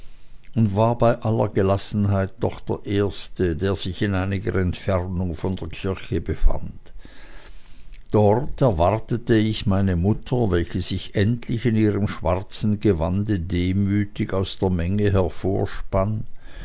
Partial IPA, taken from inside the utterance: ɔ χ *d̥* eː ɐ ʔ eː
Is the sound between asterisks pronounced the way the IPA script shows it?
yes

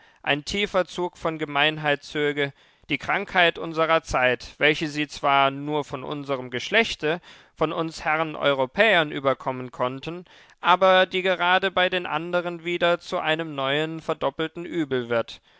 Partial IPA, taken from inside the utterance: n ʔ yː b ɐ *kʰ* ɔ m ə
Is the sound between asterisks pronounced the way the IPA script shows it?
yes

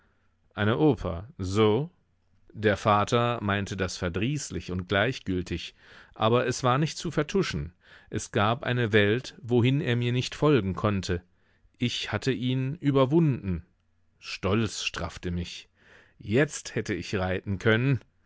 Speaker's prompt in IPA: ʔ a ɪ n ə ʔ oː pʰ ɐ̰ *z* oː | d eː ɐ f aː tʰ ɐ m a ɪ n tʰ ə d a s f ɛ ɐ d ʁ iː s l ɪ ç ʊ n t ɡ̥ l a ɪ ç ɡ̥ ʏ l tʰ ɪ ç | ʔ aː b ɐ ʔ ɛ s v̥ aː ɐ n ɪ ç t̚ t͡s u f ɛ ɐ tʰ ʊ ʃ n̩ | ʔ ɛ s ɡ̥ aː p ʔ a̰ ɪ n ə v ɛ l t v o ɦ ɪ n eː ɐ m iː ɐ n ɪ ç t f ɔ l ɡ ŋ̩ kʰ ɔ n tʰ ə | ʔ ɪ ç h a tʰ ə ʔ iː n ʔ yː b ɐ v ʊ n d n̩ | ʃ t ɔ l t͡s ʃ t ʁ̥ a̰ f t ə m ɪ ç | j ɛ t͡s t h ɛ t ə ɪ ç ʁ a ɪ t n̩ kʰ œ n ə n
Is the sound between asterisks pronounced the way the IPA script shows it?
yes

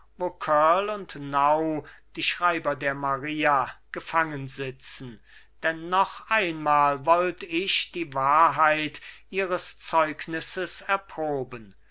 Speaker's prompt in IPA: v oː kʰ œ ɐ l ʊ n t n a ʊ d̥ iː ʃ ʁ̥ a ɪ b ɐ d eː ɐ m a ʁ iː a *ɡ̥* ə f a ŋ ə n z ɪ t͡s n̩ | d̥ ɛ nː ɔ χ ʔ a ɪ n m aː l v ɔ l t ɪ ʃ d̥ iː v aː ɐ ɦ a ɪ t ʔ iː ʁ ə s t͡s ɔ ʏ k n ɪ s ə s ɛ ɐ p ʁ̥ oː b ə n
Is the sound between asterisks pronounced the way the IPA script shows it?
yes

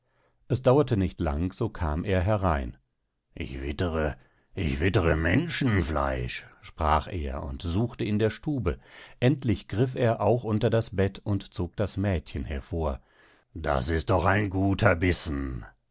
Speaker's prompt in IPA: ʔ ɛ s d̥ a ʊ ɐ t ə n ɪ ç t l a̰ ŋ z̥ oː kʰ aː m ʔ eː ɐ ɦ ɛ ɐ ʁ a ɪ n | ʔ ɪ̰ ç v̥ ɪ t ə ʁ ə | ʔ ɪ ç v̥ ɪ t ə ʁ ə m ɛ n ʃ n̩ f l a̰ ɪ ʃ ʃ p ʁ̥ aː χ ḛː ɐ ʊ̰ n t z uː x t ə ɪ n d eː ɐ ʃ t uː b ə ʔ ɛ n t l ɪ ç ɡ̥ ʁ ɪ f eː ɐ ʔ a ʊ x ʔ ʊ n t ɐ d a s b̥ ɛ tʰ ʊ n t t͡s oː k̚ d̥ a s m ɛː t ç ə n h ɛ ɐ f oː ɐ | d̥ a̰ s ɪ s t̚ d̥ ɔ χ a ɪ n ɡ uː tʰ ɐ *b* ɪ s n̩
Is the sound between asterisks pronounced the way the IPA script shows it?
yes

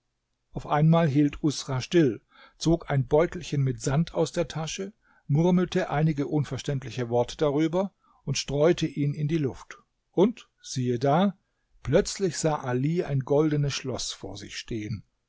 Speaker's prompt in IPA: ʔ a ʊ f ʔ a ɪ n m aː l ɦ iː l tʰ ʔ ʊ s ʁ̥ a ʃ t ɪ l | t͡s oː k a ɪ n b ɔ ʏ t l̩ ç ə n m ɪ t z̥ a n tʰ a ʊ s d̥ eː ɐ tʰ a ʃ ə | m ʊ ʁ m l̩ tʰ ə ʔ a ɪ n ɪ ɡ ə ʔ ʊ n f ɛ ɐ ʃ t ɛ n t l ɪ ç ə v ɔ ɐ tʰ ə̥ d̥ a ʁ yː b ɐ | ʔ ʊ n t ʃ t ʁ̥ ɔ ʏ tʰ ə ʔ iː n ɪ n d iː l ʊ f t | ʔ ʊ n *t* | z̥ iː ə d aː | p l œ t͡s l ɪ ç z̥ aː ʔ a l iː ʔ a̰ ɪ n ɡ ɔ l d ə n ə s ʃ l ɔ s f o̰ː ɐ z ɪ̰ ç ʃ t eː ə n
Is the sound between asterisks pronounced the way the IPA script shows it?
yes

